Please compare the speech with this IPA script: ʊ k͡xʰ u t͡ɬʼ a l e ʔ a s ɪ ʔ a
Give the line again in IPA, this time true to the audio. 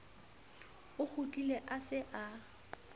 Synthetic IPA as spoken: ʊ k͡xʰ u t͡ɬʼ i l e ʔ a s ɪ ʔ a

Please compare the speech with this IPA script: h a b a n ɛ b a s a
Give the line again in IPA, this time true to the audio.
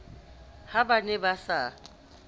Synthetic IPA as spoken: h a b a n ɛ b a s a

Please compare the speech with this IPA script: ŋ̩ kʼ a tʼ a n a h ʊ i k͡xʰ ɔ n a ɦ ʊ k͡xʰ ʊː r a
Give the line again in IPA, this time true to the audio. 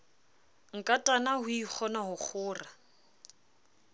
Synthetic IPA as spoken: ŋ̩ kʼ a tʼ a n a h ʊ i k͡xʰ ɔ n a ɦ ʊ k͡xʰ ʊː r a

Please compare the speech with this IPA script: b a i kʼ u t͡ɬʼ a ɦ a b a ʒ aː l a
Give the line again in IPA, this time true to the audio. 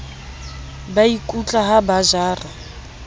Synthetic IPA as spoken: b a i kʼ u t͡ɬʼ a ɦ a b a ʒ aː r a

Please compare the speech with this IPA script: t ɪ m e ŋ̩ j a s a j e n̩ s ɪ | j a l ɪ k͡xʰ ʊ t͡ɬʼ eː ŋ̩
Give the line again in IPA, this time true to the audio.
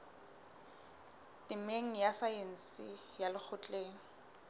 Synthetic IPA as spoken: t ɪ m e ŋ̩ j a s a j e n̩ s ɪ | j a l ɪ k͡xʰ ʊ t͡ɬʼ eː ŋ̩

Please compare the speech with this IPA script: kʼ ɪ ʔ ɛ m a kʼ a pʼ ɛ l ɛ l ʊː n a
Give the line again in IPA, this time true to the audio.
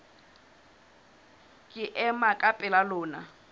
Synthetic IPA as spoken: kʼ ɪ ʔ ɛ m a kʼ a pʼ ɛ l a l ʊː n a

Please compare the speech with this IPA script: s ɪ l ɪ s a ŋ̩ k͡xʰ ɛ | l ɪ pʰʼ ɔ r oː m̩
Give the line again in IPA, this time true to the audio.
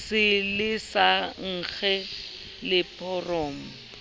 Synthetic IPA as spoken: s ɪ l ɪ s a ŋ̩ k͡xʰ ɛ | l ɪ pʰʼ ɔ r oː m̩

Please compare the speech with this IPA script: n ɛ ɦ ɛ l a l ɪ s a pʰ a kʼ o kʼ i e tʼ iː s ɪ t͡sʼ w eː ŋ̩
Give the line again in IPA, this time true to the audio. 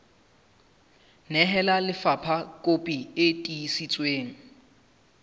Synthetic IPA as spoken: n ɛ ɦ ɛ l a l ɪ f a pʰ a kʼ o pʼ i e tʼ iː s i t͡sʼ w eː ŋ̩

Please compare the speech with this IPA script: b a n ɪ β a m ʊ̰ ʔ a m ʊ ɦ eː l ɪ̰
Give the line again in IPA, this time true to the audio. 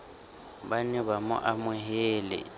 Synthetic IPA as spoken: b a n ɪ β a m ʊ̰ ʔ a m ʊ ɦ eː l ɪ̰

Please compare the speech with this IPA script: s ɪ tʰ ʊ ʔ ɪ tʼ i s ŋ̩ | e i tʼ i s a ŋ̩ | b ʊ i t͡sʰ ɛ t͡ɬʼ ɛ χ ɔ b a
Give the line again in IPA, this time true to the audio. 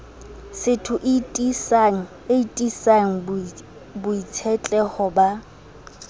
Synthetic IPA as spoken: s ɪ tʰ ʊ ʔ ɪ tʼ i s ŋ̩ | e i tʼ i s a ŋ̩ | b ʊ i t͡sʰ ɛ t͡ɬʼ ɛ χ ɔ b a

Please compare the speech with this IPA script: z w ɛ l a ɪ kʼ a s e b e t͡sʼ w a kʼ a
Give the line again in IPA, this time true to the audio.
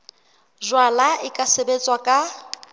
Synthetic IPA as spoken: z w a l a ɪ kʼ a s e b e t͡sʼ w a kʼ a

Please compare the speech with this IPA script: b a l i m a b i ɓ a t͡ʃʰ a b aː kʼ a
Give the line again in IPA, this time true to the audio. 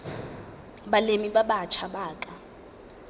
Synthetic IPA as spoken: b a l e m i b a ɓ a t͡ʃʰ a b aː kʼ a

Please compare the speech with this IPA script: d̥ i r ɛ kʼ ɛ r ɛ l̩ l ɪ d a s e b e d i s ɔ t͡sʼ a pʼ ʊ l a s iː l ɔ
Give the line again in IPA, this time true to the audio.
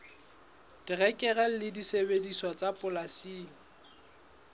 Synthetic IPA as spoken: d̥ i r ɛ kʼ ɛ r ɛ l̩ l ɪ d i s e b e d i s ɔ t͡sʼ a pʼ ʊ l a s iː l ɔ

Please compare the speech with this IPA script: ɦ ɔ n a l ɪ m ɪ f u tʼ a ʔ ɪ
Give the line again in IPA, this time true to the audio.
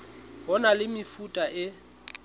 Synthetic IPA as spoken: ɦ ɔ n a l ɪ m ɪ f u tʼ a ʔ ɪ

